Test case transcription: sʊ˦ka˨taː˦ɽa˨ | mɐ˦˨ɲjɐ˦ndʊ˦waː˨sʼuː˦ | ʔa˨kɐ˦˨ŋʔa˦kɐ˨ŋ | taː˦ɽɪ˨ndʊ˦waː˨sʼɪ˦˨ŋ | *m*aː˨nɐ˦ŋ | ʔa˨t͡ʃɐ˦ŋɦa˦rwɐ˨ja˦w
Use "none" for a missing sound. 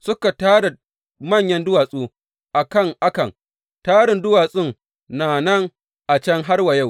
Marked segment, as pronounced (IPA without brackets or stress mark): n